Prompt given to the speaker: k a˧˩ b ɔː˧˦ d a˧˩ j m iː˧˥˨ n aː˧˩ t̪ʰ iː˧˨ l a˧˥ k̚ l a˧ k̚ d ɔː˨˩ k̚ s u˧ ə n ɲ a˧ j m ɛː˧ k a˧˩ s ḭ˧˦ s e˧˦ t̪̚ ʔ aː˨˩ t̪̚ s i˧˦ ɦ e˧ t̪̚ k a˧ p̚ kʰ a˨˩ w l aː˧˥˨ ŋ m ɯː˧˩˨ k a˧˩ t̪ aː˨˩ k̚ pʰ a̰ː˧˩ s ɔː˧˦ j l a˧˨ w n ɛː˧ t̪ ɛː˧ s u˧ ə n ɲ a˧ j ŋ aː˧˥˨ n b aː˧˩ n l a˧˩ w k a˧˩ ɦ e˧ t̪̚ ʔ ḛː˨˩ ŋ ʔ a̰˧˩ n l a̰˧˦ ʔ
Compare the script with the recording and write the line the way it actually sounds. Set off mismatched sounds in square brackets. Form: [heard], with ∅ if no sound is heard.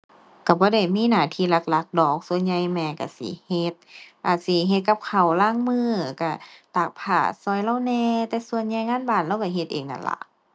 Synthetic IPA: k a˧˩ b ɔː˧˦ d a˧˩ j m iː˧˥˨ n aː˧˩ t̪ʰ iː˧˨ l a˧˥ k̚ l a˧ k̚ d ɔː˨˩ k̚ s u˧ ə n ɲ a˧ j m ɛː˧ k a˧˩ s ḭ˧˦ [h] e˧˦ t̪̚ ʔ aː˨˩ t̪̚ s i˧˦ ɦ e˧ t̪̚ k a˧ p̚ kʰ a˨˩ w l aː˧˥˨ ŋ m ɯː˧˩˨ k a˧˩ t̪ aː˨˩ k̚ pʰ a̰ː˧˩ s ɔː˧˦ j l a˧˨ w n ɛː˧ t̪ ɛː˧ s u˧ ə n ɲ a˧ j ŋ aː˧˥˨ n b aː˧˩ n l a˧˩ w k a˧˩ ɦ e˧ t̪̚ ʔ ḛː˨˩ ŋ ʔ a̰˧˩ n l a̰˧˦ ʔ